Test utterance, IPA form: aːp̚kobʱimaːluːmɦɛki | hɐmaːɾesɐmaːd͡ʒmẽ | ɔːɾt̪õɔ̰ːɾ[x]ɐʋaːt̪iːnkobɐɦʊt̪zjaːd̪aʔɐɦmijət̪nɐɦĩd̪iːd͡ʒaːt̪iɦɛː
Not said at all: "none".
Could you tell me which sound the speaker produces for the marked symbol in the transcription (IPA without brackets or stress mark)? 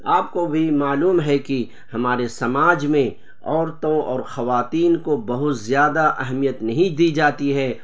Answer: x